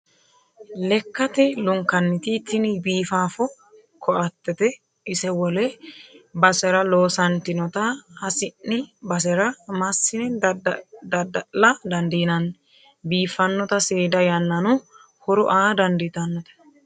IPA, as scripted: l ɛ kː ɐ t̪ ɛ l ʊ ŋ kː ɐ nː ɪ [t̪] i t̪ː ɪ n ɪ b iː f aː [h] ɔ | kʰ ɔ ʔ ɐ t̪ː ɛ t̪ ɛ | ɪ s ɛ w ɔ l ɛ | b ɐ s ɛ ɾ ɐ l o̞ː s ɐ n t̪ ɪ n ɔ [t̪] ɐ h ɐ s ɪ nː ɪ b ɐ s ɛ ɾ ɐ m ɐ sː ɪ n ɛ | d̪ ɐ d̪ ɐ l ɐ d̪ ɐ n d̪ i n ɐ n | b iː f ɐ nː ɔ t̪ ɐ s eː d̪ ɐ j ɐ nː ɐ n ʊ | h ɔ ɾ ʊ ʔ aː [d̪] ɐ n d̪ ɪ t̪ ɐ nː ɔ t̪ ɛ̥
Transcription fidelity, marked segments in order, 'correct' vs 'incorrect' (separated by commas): correct, incorrect, correct, correct